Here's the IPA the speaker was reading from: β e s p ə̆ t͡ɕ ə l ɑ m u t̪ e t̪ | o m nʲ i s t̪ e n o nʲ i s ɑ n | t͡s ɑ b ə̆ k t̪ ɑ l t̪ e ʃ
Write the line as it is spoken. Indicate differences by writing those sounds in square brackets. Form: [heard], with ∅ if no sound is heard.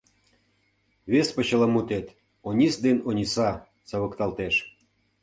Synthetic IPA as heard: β e s p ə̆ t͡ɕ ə l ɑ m u t̪ e t̪ | o [∅] nʲ i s [d̪] e n o nʲ i s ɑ [∅] | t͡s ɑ [β] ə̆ k t̪ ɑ l t̪ e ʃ